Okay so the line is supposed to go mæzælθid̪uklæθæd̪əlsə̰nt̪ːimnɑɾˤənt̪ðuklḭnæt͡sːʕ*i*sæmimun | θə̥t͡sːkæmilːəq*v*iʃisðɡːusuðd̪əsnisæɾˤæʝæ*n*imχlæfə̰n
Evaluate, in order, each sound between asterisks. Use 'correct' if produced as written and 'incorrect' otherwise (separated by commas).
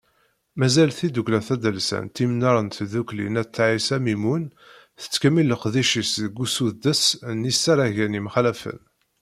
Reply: correct, incorrect, correct